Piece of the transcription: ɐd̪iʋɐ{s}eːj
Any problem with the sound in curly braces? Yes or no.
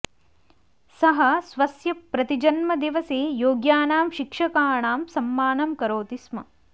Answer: no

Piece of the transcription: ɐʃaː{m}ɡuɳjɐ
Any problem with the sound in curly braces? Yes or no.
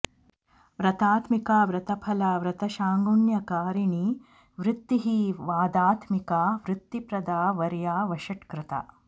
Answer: yes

